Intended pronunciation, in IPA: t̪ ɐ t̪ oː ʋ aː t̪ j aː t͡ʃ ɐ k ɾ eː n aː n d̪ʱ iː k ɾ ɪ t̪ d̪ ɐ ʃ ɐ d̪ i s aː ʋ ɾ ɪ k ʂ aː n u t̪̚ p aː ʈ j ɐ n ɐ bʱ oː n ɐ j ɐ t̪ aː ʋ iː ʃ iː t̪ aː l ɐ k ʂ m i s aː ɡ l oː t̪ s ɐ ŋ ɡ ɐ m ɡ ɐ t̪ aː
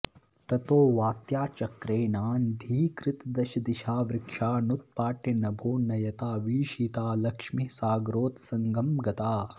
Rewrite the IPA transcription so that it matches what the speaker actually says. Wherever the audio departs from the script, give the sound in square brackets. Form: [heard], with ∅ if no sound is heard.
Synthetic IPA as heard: t̪ ɐ t̪ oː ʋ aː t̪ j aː t͡ʃ ɐ k ɾ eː n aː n d̪ʱ iː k ɾ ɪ t̪ d̪ ɐ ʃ ɐ d̪ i [ʃ] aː ʋ ɾ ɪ k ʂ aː n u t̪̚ p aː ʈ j ɐ n ɐ bʱ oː n ɐ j ɐ t̪ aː ʋ iː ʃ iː t̪ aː l ɐ k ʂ m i s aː ɡ [ɾ] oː t̪ s ɐ ŋ ɡ ɐ m ɡ ɐ t̪ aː